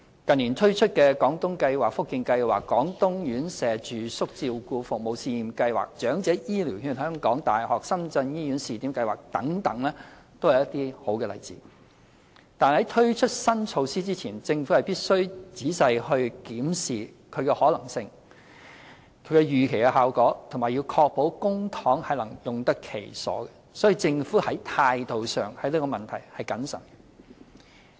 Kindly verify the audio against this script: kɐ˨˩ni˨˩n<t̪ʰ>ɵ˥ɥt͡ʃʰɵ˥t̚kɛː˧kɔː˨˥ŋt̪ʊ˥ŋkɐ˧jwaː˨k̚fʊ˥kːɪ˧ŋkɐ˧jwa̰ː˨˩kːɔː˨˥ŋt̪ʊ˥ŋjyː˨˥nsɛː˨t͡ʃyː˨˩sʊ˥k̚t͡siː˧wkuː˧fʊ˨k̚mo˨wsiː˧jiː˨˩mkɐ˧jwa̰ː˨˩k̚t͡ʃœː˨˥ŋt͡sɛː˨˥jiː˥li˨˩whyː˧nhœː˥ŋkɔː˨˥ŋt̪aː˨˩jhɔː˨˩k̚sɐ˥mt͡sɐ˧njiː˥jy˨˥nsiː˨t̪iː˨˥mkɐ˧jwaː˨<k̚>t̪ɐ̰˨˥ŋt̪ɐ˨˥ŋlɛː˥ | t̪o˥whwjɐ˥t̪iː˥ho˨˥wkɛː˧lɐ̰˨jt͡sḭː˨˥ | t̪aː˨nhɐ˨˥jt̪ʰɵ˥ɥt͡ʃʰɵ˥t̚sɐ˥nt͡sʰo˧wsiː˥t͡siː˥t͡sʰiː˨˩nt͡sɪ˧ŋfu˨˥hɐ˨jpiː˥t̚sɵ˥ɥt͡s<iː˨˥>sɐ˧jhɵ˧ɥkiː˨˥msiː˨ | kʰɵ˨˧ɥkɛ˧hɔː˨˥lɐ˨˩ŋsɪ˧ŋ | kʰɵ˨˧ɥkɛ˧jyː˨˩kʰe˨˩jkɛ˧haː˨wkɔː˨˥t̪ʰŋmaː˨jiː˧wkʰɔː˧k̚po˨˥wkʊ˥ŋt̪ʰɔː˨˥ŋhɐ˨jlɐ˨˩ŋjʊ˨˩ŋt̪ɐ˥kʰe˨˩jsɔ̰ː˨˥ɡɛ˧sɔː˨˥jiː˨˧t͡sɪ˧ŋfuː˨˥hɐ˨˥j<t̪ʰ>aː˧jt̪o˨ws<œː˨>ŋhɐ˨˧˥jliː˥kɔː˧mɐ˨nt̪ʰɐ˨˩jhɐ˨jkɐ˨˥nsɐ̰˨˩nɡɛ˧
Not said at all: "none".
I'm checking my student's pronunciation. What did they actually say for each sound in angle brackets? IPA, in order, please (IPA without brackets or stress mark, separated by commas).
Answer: t̪ʰ, k̚, iː˨˥, t̪ʰ, œː˨